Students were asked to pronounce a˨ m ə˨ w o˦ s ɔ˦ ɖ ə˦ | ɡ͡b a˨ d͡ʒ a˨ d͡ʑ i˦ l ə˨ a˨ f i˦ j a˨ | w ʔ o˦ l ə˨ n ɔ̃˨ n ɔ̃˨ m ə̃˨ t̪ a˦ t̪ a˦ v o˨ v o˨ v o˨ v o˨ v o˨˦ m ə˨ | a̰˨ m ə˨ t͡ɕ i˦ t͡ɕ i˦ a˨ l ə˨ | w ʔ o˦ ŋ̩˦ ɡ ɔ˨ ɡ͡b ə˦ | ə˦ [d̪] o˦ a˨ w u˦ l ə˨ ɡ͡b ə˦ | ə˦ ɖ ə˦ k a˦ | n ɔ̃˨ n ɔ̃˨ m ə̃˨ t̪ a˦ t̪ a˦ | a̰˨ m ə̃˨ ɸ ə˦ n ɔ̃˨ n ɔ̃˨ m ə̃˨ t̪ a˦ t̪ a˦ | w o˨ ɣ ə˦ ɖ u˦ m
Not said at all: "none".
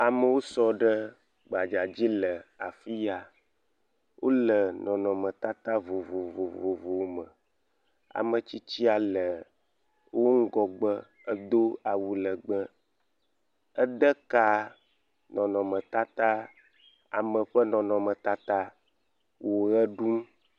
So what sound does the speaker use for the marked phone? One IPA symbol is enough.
d̪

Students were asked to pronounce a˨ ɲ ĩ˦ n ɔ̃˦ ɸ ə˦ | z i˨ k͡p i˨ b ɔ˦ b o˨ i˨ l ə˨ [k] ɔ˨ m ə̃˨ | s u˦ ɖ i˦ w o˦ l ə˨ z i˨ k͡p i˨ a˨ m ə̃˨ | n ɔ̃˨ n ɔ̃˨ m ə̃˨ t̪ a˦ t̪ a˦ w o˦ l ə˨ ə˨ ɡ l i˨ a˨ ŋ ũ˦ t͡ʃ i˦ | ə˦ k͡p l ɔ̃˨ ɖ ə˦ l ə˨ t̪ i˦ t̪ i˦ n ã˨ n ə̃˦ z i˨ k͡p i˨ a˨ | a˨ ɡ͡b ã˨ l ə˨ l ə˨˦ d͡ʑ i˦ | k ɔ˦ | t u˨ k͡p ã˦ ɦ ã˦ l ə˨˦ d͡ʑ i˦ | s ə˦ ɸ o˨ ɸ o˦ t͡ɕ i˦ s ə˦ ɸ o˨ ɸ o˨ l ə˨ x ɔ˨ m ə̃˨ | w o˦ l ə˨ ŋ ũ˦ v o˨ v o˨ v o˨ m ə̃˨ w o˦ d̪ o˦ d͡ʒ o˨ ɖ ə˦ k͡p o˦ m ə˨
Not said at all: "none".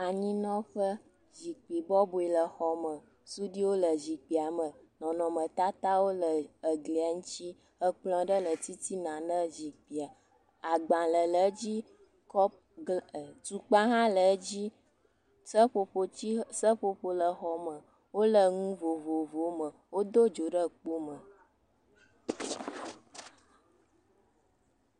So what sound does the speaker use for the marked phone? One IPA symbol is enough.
x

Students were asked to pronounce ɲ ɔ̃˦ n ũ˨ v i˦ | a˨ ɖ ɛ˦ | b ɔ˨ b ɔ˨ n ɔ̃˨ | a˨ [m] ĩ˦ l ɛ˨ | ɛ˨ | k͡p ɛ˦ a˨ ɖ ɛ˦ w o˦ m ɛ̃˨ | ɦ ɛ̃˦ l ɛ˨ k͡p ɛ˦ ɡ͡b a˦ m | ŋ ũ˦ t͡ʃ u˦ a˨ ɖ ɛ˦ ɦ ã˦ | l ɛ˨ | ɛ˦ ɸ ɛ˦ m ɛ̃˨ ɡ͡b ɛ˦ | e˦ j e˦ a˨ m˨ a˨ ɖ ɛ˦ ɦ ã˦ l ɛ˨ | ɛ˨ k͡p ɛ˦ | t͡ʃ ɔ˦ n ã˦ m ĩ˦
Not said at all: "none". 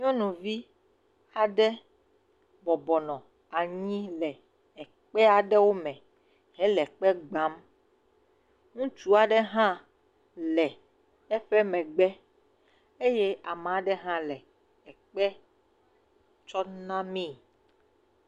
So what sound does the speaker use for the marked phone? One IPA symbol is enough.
ɲ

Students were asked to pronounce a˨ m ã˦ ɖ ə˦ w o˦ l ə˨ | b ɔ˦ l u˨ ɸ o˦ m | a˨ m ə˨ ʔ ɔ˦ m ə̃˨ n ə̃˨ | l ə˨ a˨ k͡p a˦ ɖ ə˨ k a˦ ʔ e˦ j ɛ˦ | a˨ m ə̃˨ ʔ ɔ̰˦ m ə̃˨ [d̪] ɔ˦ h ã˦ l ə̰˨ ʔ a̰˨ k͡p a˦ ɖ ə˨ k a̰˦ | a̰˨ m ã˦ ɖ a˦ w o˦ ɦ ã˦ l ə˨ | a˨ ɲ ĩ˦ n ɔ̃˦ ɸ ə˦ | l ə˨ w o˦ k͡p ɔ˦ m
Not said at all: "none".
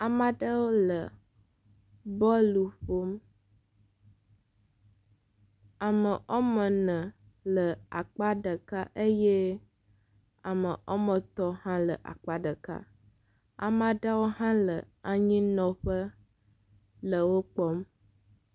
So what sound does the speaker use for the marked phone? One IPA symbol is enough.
t̪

